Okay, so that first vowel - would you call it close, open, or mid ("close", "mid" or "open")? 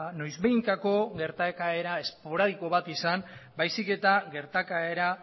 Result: mid